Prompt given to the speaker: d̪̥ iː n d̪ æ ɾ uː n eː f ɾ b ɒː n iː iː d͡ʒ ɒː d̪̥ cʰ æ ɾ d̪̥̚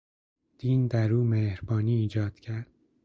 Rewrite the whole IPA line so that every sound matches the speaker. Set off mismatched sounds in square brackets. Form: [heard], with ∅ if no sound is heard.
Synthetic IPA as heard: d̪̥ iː n d̪ æ ɾ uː [m] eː [h] ɾ b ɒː n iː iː d͡ʒ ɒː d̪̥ cʰ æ ɾ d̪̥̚